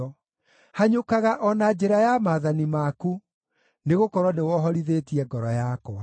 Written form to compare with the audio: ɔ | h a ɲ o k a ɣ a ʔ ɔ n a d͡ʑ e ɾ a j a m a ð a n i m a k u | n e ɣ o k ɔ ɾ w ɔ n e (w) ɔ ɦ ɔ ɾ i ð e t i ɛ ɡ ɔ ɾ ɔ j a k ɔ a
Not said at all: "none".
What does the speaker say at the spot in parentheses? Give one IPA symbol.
w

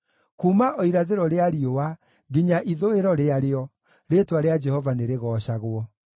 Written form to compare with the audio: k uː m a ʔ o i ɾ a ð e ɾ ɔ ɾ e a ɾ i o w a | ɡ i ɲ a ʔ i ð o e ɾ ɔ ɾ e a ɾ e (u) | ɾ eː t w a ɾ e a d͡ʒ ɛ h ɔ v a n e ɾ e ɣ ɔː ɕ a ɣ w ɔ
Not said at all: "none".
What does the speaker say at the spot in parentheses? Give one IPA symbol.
ɔ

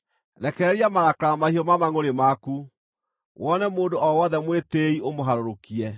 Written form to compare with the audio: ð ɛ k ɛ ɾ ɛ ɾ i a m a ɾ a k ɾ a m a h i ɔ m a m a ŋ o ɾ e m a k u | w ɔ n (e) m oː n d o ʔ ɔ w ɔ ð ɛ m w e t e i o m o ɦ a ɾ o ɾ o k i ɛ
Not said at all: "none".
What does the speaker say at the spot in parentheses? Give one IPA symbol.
ɛ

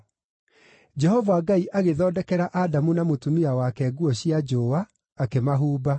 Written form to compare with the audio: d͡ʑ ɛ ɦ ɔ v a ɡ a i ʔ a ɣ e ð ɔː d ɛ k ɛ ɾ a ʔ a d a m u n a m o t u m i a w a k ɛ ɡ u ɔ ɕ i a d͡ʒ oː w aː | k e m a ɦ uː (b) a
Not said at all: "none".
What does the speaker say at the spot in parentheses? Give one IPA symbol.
b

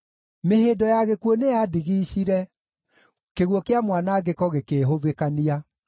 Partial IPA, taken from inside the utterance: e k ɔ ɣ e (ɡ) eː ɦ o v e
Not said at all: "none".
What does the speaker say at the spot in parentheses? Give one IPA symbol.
k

